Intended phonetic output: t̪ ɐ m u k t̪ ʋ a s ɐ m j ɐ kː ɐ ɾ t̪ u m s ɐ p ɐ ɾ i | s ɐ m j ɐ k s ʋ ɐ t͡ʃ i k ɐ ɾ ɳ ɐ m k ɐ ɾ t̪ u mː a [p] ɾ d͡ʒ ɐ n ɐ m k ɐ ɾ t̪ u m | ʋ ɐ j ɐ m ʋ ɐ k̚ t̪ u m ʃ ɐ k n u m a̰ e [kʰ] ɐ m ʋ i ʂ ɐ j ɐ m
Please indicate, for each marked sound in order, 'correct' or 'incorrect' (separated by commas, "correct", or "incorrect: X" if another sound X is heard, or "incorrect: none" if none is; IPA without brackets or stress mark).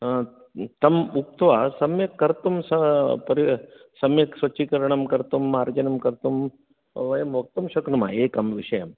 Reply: incorrect: none, incorrect: k